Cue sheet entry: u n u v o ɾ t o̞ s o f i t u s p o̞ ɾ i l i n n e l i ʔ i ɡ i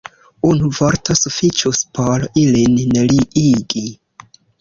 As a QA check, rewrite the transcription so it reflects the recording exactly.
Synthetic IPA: u n u v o ɾ t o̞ s u f i t͡ʃ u s p o̞ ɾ i l i n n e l i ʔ i ɡ i